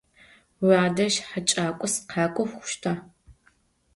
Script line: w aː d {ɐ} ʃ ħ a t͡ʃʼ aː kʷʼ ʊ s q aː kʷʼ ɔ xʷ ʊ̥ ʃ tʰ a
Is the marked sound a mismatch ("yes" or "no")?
no